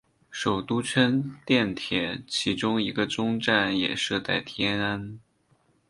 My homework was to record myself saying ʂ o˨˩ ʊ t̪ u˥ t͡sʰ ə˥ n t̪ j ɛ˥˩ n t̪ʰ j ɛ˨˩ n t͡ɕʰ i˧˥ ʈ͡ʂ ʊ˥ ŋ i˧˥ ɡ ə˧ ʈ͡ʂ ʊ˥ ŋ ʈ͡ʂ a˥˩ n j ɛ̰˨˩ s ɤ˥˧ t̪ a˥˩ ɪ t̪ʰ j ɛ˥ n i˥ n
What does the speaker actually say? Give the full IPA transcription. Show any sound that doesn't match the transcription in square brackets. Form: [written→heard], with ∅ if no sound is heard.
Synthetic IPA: ʂ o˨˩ ʊ t̪ u˥ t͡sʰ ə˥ n t̪ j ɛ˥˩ n t̪ʰ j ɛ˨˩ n t͡ɕʰ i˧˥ ʈ͡ʂ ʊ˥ ŋ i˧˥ ɡ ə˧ ʈ͡ʂ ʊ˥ ŋ ʈ͡ʂ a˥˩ n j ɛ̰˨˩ [s→ʂ] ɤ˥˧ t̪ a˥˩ ɪ t̪ʰ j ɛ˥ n [i˥→a˥] n